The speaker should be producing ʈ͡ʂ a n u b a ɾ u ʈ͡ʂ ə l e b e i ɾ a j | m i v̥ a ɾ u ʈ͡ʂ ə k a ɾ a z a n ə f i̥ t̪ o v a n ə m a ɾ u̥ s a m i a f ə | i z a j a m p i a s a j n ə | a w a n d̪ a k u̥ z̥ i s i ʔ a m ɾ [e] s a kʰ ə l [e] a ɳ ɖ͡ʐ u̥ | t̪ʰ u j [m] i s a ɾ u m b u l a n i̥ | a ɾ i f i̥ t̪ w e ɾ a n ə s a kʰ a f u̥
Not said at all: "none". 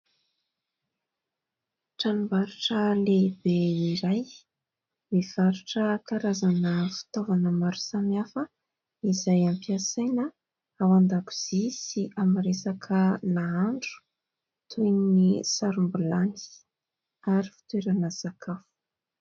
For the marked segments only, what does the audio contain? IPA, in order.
e, a, n

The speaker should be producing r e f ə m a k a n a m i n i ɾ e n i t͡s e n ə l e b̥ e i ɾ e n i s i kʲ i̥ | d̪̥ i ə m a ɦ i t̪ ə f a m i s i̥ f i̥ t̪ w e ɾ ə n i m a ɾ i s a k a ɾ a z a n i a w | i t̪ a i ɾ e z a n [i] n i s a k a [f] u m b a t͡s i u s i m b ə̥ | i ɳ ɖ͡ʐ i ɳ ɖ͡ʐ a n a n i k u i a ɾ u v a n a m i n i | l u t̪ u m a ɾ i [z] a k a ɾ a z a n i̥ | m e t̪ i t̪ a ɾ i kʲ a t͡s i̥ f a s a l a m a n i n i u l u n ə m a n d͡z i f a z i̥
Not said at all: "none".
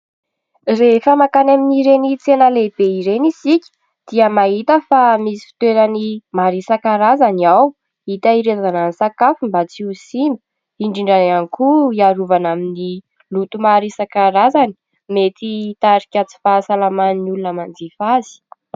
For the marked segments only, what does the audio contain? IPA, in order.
a, f, s

